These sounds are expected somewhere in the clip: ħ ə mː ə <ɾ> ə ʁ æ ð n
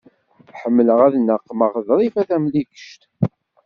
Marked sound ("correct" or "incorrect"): incorrect